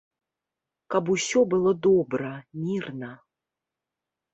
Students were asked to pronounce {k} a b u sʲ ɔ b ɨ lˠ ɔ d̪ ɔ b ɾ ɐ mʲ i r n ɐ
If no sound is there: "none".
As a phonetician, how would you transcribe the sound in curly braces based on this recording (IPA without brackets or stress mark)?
k